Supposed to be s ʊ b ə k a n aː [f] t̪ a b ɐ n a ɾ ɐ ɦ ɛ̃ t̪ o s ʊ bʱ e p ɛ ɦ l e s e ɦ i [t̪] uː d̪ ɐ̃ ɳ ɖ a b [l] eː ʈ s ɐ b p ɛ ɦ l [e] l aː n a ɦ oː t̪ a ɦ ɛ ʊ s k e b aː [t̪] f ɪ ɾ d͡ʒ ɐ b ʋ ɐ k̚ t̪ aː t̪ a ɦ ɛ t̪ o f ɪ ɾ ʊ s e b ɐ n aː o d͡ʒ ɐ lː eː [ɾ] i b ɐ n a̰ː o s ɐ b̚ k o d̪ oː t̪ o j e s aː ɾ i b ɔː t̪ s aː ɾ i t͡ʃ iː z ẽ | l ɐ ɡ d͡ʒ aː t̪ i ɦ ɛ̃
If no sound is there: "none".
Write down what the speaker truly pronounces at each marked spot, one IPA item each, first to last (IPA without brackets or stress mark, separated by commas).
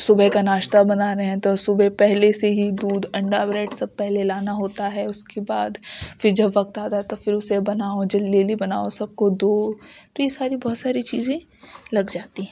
ʃ, d̪, ɾ, e, d̪, l